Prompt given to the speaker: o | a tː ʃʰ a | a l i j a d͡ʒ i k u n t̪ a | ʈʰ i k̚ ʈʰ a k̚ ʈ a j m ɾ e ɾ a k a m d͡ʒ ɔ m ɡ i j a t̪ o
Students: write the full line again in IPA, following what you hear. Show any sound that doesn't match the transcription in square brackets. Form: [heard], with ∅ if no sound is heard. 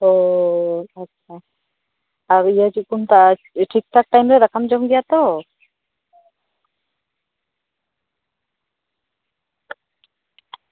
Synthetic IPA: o | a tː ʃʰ a | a [ɾ] i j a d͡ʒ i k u n t̪ a | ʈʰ i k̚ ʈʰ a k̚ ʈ a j m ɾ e ɾ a k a m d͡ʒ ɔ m ɡ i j a t̪ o